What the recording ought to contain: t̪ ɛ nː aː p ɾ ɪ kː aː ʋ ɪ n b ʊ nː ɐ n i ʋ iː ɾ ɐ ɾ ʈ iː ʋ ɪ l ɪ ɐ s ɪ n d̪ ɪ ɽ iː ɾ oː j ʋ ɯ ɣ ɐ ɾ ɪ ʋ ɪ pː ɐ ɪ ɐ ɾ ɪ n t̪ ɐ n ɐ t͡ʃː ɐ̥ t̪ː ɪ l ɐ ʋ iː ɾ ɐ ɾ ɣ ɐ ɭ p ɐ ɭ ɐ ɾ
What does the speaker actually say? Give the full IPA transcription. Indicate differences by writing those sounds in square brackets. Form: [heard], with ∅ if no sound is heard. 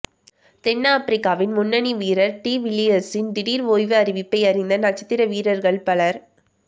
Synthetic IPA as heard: t̪ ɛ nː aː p ɾ ɪ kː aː ʋ ɪ n [m] ʊ nː ɐ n i ʋ iː ɾ ɐ ɾ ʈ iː ʋ ɪ l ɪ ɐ s ɪ n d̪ ɪ ɽ iː ɾ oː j ʋ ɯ [∅] ɐ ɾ ɪ ʋ ɪ pː ɐ ɪ ɐ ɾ ɪ n [d̪] ɐ n ɐ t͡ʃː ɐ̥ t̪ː ɪ [ɾ] ɐ ʋ iː ɾ ɐ ɾ ɣ ɐ ɭ p ɐ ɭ ɐ ɾ